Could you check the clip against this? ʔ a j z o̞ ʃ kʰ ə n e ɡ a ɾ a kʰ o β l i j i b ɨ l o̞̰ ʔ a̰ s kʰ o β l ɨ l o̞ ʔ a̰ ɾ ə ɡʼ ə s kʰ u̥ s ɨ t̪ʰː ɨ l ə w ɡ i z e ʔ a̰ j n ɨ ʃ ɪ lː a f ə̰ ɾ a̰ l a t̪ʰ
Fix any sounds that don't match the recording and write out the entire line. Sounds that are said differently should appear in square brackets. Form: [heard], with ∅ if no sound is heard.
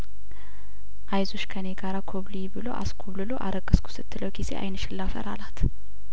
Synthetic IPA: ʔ a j z o̞ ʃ kʰ ə n e ɡ a ɾ a kʰ o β l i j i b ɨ l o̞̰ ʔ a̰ s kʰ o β l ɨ l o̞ ʔ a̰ ɾ ə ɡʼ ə s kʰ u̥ s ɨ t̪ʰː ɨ l ə w ɡ i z e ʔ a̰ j n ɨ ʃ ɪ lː a f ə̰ ɾ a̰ l a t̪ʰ